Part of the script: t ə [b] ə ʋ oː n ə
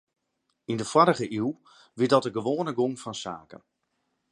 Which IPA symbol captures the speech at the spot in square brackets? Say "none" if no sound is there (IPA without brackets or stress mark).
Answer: ɡ